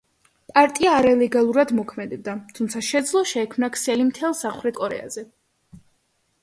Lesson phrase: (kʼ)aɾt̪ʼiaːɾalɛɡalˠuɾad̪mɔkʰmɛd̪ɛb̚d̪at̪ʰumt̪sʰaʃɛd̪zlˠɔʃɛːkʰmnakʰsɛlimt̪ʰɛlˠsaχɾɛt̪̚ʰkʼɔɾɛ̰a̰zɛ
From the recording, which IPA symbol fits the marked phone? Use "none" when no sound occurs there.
pʼ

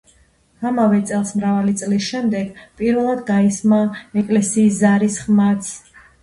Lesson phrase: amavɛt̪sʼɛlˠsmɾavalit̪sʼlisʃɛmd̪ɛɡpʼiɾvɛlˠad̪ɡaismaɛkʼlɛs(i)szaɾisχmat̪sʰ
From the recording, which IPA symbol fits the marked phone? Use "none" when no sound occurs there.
iː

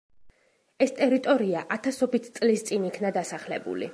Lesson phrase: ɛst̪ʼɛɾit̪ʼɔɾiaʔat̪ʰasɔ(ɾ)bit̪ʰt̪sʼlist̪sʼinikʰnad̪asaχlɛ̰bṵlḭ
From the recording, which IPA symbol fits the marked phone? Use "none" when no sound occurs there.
none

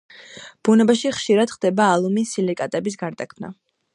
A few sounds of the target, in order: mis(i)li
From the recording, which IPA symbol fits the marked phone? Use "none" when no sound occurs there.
i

